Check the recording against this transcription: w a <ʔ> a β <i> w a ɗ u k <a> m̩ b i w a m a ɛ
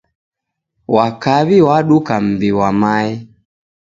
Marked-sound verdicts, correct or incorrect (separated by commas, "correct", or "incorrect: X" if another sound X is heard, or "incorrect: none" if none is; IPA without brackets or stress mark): incorrect: k, correct, correct